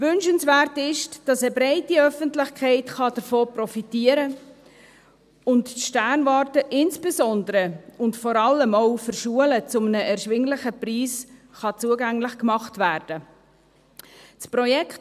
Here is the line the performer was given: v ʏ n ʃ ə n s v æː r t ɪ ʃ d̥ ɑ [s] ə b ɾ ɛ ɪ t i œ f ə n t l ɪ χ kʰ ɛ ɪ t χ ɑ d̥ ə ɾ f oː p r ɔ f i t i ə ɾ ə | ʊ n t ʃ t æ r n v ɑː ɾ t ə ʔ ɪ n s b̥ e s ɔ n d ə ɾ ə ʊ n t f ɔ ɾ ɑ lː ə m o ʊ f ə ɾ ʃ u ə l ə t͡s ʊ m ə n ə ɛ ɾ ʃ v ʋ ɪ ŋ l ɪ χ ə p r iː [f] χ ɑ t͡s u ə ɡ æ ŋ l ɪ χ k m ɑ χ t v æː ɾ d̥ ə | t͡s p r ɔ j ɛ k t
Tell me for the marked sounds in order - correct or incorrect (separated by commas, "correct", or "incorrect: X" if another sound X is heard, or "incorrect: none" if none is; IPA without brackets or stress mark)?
correct, incorrect: s